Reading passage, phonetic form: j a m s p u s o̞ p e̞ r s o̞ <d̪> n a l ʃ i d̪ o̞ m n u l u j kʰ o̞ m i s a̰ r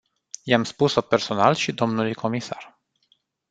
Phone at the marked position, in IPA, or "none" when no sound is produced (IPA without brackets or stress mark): none